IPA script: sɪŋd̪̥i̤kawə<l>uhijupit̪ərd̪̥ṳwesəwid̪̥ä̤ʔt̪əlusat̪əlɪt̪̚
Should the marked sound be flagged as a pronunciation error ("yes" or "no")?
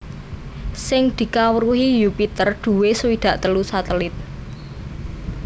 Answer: yes